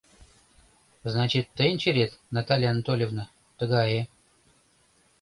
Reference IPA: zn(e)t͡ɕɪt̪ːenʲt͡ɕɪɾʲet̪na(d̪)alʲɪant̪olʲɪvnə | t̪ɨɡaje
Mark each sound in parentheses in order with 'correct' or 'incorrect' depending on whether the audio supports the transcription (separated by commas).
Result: incorrect, incorrect